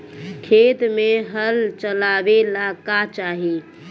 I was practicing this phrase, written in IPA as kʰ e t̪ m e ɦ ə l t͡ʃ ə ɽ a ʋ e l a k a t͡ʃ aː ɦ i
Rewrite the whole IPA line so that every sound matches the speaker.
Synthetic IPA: kʰ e t̪ m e ɦ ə l t͡ʃ ə l a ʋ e l a k a t͡ʃ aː ɦ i